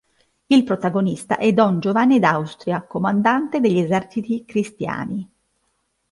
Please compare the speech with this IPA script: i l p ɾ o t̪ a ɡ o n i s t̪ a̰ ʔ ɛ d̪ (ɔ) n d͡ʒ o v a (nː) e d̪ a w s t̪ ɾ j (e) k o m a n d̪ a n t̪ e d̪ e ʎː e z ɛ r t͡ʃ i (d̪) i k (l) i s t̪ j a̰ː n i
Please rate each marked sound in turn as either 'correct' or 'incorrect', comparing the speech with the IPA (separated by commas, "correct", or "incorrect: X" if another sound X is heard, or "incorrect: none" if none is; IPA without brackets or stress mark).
correct, correct, incorrect: a, incorrect: t̪, incorrect: ɾ